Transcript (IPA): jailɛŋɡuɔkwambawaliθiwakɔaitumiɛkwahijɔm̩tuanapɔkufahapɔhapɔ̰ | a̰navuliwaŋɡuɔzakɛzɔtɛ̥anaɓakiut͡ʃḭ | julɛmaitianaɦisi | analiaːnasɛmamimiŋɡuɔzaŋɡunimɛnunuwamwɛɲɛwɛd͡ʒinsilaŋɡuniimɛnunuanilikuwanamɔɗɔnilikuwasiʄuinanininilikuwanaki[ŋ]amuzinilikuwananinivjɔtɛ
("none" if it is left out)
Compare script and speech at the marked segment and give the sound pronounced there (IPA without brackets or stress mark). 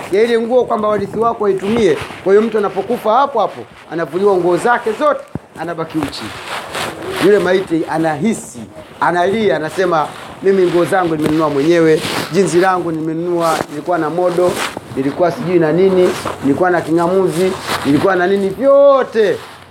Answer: ŋ